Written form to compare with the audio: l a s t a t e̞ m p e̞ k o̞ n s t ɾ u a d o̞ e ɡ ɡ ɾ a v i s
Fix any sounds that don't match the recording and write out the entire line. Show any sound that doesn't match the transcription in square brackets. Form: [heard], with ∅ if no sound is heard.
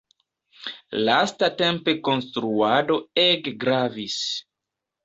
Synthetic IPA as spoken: l a s t a t e̞ m p e̞ k o̞ n s t ɾ u a d o̞ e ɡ ɡ ɾ a v i s

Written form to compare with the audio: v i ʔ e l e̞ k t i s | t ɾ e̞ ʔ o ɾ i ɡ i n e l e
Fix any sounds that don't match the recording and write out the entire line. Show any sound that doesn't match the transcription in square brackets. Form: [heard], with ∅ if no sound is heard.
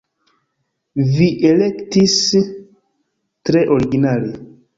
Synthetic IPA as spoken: v i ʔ e l e̞ k t i s | t ɾ e̞ ʔ o ɾ i ɡ i n [a] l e

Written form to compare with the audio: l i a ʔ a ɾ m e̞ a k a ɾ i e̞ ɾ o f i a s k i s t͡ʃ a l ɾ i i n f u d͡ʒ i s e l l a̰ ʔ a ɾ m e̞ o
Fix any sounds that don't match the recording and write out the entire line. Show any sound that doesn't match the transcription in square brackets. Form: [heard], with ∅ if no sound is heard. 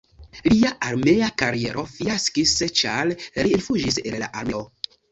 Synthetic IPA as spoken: l i a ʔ a ɾ m e̞ a k a ɾ i e̞ ɾ o f i a s k i s t͡ʃ a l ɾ i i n f u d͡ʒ i s e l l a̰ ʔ a ɾ m e̞ o

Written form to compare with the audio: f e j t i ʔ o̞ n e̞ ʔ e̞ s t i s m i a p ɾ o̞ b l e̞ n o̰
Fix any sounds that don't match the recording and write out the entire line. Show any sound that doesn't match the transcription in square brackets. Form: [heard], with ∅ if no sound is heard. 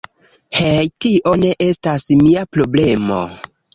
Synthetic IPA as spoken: [h] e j t i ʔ o̞ n e̞ ʔ e̞ s t [a] s m i a p ɾ o̞ b l e̞ [m] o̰

